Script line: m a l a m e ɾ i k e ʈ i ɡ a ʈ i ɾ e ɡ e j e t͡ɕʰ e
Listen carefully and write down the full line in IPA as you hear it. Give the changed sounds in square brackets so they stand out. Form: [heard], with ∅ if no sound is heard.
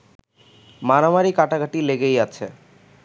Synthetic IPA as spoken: m a [ɾ] a m [a] ɾ i k [a] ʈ [a] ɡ a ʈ i [l] e ɡ e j [a] t͡ɕʰ e